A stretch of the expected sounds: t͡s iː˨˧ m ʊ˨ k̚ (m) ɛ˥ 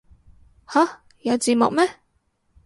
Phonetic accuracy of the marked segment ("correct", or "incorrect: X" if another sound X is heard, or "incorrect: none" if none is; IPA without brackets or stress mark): correct